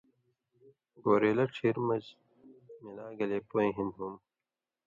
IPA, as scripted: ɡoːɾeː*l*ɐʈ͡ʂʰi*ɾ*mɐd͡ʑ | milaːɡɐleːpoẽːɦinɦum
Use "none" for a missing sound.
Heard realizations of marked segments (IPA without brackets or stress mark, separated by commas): l, ɾ